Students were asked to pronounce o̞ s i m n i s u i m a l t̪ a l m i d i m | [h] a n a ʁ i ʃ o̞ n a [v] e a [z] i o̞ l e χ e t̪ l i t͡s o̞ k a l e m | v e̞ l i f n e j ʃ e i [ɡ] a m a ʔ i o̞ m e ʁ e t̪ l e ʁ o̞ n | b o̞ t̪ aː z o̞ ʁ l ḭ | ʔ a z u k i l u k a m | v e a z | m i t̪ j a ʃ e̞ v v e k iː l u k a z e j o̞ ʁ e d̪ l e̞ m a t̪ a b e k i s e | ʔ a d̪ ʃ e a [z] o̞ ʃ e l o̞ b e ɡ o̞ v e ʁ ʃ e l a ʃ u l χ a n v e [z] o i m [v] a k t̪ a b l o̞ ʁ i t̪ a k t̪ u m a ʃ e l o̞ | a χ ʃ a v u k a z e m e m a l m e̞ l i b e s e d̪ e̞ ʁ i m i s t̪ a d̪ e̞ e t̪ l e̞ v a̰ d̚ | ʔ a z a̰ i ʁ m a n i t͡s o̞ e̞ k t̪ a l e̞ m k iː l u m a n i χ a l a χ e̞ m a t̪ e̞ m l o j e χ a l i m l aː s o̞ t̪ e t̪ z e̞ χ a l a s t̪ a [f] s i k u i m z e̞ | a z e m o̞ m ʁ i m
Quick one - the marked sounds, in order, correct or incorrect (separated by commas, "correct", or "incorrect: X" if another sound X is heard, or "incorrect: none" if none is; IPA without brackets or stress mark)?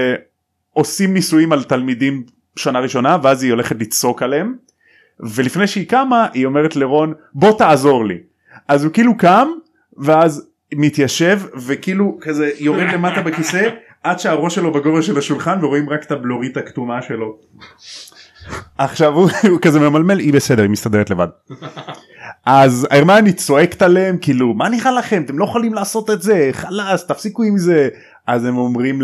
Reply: incorrect: ʃ, correct, correct, incorrect: k, incorrect: ʁ, incorrect: ʁ, incorrect: ʁ, correct